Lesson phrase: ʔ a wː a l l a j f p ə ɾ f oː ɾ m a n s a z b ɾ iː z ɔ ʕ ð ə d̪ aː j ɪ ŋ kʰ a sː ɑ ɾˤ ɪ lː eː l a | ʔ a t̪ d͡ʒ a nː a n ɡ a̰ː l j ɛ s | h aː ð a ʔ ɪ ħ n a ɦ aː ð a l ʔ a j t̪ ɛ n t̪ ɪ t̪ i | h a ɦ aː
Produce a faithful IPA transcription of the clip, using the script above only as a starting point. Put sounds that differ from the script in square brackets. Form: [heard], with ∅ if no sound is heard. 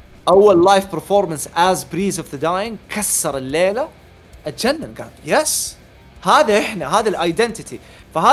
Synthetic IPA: ʔ a wː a l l a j f p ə ɾ f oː ɾ m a n s a z b ɾ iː z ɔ [v] ð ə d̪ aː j ɪ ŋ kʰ a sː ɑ ɾˤ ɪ lː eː l a | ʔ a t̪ d͡ʒ a nː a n ɡ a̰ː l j ɛ s | h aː ð a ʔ ɪ ħ n a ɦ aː ð a l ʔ a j [d̪] ɛ n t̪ ɪ t̪ i | [f] a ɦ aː